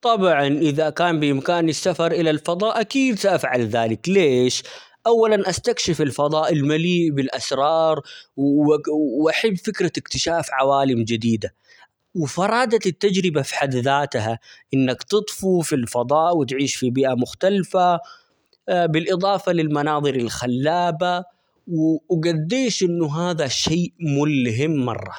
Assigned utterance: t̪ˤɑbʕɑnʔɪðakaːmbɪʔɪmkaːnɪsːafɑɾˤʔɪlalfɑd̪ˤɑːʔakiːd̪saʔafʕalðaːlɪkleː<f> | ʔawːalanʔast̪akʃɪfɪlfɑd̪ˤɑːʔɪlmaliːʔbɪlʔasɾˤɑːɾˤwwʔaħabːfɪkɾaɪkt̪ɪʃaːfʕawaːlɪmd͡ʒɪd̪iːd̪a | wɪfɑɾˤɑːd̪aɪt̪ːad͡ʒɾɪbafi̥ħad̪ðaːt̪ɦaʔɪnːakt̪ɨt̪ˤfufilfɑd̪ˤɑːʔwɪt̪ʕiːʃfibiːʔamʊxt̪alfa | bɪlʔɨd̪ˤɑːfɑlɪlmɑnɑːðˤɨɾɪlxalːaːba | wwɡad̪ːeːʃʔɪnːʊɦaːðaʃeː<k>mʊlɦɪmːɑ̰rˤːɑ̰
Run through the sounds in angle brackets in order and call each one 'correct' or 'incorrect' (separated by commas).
incorrect, incorrect